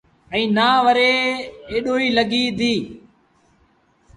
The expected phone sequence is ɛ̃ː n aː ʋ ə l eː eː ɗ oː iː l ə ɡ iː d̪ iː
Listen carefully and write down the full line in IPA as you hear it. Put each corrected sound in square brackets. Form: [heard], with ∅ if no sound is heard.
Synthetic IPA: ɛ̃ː n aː ʋ ə [ɾ] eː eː ɗ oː iː l ə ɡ iː d̪ iː